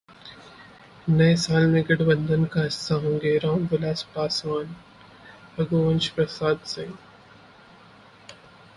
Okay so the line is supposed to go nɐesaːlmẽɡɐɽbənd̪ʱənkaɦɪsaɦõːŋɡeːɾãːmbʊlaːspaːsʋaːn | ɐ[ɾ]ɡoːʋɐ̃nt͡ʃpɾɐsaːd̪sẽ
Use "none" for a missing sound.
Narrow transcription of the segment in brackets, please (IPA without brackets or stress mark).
none